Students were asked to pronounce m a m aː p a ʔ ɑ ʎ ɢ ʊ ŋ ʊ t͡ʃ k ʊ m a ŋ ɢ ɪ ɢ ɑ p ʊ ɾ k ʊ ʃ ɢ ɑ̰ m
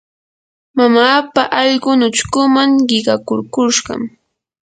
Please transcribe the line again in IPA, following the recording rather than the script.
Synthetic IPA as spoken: m a m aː p a ʔ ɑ ʎ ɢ ʊ n ʊ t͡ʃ k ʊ m a ŋ ɢ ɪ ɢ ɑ k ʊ ɾ k ʊ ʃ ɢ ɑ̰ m

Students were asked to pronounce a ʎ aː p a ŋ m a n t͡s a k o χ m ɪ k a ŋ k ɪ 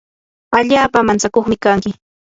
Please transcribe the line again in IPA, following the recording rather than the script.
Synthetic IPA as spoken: a ʎ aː p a m a n t͡s a k o χ m ɪ k a ŋ k ɪ

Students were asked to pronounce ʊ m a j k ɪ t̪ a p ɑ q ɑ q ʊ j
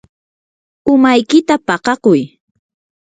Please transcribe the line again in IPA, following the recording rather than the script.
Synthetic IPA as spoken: ʊ m a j k ɪ t̪ a p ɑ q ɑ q ʊ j

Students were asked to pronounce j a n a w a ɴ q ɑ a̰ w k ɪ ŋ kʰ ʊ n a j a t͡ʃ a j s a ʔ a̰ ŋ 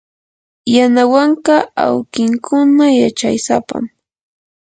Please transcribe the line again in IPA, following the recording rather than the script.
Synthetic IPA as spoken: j a n a w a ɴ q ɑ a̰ w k ɪ ŋ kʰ ʊ n a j a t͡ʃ a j s a p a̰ m

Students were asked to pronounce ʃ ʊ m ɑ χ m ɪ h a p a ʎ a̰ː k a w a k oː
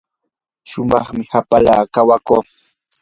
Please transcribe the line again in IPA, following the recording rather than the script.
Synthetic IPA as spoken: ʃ ʊ m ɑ χ m ɪ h a p a l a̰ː k a w a k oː

